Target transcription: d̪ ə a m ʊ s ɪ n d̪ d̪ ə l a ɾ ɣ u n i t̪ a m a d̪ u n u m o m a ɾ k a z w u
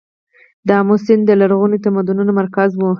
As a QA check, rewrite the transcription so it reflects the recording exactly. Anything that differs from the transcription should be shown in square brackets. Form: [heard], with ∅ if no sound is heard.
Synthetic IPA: d̪ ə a m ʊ s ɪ n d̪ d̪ ə l a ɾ ɣ u n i t̪ a m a d̪ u n u [n] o m a ɾ k a z w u